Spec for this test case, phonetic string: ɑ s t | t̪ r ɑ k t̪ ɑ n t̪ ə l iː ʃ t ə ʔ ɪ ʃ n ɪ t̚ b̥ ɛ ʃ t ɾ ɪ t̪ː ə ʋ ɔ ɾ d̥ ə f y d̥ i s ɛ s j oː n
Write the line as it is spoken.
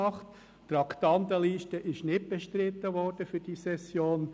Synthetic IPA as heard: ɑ χ t | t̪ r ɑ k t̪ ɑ n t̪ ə l iː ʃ t ə ʔ ɪ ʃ n ɪ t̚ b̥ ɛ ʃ t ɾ ɪ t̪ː ə ʋ ɔ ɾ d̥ ə f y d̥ i s ɛ s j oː n